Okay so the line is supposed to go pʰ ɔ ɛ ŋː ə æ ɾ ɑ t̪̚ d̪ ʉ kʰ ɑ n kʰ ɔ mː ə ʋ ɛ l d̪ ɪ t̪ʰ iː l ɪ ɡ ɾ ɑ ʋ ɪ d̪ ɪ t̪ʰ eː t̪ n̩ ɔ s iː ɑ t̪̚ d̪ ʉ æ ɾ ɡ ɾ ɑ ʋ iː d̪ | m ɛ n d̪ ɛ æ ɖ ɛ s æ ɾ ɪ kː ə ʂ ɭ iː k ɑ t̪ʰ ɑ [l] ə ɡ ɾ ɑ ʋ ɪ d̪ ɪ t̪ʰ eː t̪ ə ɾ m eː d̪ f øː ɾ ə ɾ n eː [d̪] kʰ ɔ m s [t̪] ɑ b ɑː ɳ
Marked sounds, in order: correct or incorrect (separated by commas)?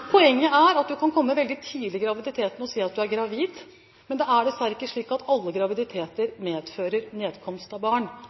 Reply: incorrect, correct, correct